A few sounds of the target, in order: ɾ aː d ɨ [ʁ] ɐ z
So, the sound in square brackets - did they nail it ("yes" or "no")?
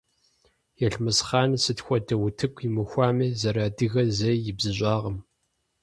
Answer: no